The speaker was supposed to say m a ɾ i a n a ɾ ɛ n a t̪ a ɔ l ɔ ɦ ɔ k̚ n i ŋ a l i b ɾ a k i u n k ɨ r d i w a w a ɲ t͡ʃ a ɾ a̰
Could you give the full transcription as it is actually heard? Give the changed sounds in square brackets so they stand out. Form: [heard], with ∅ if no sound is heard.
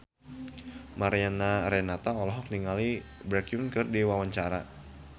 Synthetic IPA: m a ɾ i a n a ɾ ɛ n a t̪ a ɔ l ɔ ɦ ɔ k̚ n i ŋ a l i b ɾ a k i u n k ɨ r d i w a w a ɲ t͡ʃ a ɾ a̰